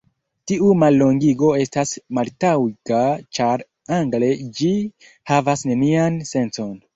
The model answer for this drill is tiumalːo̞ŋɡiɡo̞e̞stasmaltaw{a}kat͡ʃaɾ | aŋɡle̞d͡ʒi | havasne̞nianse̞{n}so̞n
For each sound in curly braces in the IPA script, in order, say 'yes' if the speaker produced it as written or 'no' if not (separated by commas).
no, yes